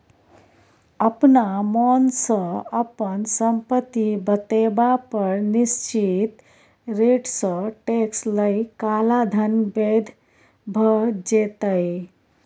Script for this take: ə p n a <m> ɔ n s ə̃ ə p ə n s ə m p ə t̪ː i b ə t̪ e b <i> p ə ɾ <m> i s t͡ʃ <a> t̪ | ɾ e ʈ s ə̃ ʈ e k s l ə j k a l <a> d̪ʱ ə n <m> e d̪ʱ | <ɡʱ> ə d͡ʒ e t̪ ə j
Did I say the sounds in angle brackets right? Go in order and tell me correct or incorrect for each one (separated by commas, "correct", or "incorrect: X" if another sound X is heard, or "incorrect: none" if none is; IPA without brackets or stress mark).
correct, incorrect: a, incorrect: n, incorrect: i, correct, incorrect: b, incorrect: bʱ